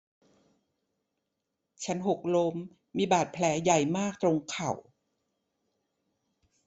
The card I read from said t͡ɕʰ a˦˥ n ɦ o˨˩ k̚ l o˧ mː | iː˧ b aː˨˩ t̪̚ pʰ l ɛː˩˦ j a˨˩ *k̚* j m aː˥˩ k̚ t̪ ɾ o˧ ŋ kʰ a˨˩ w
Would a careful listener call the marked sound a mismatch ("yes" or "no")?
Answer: yes